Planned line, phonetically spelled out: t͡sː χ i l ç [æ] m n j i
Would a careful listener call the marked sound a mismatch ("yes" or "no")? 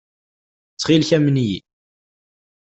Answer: no